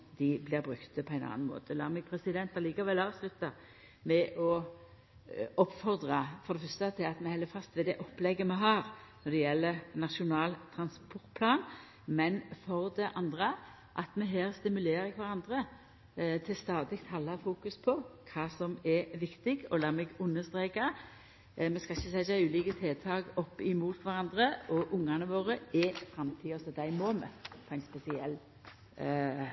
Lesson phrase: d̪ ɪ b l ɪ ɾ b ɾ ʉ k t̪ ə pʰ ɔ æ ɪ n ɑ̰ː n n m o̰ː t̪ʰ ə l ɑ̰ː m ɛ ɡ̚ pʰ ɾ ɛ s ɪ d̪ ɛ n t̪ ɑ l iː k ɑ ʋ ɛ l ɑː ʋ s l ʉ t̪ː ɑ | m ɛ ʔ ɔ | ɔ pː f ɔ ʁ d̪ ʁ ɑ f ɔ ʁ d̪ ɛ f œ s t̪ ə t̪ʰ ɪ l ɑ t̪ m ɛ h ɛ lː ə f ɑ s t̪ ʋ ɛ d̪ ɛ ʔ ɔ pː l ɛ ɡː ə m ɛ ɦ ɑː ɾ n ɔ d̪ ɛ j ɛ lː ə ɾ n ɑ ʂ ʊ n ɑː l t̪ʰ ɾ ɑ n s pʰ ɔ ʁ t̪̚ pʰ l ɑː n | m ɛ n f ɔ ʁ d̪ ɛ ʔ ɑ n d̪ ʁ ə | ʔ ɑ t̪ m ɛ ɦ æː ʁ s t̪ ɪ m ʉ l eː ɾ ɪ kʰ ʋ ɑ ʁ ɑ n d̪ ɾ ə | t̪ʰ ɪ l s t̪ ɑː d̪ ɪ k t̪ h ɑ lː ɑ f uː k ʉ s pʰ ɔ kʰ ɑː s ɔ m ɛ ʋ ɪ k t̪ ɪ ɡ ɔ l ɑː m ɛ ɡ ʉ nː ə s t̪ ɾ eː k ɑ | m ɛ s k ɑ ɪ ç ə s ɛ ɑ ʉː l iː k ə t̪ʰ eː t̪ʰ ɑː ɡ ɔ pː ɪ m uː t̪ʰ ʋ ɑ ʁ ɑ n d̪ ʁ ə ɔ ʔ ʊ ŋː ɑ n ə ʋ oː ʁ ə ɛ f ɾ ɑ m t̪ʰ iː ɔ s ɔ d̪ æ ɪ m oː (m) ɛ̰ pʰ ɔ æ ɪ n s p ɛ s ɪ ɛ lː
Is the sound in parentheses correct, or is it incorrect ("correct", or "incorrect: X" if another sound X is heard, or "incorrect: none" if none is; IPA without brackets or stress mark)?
correct